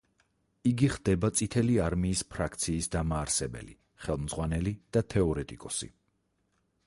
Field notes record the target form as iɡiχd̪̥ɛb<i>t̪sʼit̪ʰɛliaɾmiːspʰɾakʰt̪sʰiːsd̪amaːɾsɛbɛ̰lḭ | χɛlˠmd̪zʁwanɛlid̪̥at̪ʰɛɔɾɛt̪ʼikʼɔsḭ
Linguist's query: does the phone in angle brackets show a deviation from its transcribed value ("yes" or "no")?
yes